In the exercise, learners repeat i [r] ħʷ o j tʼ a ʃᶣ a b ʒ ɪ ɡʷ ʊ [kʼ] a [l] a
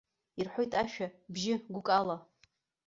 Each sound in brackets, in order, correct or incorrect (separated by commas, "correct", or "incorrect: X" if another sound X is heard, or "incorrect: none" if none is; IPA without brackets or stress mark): correct, correct, correct